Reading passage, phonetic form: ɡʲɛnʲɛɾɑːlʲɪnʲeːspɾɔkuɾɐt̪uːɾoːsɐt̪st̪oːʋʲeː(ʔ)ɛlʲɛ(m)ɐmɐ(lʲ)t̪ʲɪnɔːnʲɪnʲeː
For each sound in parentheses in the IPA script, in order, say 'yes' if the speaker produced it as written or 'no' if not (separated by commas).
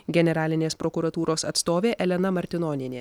yes, no, no